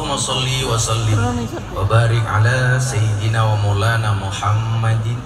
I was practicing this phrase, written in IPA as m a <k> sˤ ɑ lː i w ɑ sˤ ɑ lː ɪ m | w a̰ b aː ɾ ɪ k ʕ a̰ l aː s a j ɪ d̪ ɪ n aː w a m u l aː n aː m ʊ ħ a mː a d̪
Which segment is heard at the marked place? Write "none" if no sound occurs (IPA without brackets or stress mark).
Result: none